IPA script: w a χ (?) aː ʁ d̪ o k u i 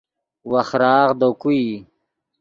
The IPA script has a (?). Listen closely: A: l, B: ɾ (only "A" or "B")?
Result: B